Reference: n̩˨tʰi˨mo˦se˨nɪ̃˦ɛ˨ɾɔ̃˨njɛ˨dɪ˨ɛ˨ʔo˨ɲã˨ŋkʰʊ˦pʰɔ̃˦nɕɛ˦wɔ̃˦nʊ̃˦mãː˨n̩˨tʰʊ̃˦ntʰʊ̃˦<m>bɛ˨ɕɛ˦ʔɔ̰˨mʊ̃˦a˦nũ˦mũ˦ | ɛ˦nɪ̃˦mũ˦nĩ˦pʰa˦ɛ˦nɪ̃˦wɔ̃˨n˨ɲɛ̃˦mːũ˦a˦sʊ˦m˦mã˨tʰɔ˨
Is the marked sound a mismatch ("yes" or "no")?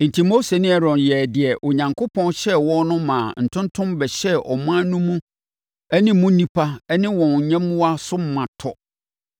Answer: no